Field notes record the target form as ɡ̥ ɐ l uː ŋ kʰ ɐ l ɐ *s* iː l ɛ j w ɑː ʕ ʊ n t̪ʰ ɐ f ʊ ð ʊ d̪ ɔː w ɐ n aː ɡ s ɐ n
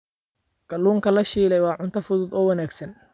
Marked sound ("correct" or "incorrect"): incorrect